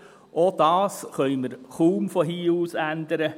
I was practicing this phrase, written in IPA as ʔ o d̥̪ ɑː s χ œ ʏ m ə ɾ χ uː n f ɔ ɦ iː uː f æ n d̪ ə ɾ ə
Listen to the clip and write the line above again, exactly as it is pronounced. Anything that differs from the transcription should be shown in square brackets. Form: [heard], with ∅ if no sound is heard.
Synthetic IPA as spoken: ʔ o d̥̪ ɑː s χ œ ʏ m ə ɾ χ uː [m] f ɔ ɦ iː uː [s] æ n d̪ ə ɾ ə